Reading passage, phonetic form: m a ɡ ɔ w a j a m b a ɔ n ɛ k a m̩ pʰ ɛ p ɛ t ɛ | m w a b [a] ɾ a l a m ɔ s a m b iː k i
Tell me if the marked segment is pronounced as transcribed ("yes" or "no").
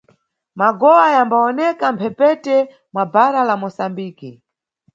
yes